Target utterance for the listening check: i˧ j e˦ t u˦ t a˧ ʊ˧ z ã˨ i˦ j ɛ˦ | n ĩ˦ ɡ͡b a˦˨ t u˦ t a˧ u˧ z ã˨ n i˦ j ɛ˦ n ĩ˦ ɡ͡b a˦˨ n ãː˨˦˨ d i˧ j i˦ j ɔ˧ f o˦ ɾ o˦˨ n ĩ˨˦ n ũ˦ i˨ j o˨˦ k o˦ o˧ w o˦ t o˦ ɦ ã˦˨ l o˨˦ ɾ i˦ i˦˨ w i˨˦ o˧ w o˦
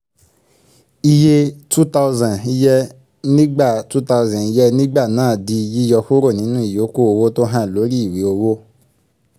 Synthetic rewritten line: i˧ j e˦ t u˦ t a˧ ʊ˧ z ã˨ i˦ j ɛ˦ | n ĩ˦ ɡ͡b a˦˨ t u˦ t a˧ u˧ z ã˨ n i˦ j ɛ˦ n ĩ˦ ɡ͡b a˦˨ n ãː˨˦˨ d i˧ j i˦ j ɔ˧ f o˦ ɾ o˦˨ n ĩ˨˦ n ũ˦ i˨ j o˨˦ k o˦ o˧ w o˦ t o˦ ɦ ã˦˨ l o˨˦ ɾ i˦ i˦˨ w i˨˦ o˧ w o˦